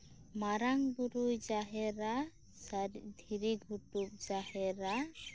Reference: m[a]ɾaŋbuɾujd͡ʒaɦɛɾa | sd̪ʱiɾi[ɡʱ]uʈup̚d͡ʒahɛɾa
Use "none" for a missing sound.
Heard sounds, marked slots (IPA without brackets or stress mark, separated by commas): a, ɡʱ